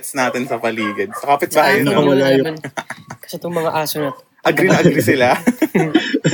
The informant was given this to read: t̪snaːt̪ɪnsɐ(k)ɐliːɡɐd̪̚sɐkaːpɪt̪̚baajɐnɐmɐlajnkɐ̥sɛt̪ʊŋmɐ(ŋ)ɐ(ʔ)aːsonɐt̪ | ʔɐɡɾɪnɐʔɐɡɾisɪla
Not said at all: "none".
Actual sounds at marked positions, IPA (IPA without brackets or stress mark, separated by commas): p, ŋ, ʔ